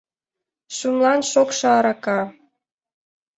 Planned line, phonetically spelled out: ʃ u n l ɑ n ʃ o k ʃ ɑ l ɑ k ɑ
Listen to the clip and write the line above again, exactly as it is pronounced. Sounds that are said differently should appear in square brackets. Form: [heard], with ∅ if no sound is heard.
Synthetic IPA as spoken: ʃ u [m] l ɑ n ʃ o k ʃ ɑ [ɾ] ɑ k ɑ